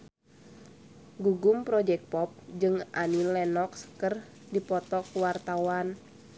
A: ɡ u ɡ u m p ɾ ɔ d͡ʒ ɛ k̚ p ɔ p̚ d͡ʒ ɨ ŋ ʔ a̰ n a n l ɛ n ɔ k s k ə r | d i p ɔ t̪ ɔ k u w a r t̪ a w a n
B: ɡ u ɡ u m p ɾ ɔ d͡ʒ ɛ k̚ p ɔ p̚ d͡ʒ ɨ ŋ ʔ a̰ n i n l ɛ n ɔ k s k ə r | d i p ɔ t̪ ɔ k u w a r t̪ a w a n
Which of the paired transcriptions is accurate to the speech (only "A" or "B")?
B